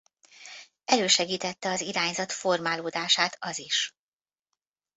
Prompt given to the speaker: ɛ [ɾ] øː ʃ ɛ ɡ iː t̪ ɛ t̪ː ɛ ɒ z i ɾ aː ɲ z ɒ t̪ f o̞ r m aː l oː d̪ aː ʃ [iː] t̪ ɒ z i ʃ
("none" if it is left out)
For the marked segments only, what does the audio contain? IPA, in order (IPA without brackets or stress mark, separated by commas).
l, aː